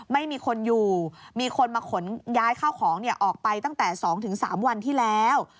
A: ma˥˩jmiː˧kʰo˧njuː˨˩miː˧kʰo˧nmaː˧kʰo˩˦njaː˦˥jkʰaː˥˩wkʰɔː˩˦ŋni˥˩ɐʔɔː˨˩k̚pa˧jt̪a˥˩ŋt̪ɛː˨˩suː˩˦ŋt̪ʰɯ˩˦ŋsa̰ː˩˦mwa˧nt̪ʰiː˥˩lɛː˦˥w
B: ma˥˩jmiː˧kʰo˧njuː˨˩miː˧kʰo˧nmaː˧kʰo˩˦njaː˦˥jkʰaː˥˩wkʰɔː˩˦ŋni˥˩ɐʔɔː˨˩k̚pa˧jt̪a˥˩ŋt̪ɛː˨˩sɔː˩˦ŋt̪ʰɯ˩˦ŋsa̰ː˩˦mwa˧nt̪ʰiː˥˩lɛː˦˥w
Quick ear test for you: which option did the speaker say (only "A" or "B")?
B